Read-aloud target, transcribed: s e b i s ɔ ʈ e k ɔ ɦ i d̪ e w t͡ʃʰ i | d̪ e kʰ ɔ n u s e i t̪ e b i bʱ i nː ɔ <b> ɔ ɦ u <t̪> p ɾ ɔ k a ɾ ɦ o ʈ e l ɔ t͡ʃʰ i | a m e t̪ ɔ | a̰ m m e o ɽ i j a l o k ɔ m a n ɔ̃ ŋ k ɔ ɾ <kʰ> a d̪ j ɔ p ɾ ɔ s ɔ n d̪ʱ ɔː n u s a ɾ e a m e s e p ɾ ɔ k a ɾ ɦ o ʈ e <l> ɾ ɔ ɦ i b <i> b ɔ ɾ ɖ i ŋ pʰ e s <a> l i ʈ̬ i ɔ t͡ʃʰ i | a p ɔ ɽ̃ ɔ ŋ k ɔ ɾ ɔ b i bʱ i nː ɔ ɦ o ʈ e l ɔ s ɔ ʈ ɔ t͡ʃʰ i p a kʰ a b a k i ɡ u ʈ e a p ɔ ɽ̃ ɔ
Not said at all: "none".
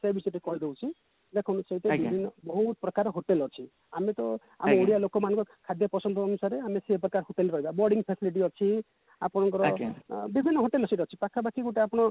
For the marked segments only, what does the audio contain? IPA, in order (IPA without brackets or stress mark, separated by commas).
b, t̪, kʰ, l, a, i